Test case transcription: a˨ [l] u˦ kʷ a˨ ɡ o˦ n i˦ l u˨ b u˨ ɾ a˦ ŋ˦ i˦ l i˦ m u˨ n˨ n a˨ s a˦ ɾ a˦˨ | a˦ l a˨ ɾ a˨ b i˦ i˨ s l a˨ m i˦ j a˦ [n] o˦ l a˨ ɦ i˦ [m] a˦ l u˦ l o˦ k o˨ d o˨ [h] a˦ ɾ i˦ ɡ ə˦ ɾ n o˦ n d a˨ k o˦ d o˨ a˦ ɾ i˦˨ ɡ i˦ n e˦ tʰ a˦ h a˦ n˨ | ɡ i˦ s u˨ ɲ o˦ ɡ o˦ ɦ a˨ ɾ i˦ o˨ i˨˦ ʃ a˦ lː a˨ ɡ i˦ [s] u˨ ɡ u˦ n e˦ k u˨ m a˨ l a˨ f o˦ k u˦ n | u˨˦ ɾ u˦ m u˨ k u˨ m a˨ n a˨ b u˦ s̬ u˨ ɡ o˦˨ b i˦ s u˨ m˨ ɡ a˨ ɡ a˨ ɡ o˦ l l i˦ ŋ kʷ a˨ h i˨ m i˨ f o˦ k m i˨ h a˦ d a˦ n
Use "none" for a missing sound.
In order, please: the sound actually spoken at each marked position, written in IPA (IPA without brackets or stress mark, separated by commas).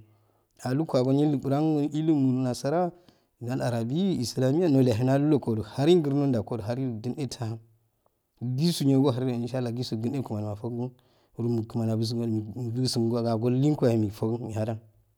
l, n, n, h, s